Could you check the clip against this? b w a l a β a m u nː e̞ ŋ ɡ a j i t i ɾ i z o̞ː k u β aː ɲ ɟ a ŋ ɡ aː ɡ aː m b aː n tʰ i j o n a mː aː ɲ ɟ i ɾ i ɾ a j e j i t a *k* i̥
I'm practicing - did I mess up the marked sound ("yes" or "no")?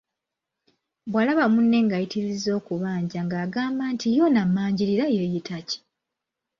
yes